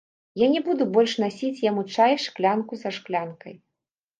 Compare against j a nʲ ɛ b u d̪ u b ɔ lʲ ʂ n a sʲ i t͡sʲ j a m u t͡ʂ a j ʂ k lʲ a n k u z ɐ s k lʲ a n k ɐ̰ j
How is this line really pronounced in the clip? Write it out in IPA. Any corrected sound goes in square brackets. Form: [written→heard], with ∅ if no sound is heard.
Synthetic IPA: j a nʲ ɛ b u d̪ u b ɔ lʲ ʂ n a sʲ i t͡sʲ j a m u t͡ʂ a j ʂ k lʲ a n k u z ɐ [s→ʂ] k lʲ a n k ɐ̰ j